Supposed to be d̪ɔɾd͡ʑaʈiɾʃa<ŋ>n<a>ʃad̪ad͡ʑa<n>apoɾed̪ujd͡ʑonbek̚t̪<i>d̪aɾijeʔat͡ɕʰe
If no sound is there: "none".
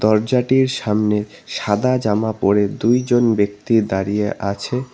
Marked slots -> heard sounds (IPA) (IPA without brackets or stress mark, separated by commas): m, e, m, i